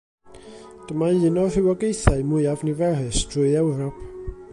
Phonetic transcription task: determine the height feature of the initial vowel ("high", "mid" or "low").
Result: mid